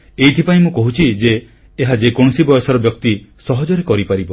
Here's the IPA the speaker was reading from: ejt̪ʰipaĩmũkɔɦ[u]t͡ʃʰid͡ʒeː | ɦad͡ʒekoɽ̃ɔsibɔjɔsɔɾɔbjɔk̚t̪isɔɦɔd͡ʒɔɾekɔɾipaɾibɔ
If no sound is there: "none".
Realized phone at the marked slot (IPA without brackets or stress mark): u